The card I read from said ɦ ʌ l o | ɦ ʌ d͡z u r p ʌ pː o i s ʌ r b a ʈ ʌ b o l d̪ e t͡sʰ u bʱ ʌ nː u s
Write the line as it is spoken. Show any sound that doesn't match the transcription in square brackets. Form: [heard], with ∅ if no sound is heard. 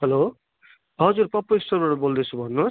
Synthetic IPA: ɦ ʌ l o | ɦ ʌ d͡z u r p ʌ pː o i s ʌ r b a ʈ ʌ b o l d̪ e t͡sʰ u bʱ ʌ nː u s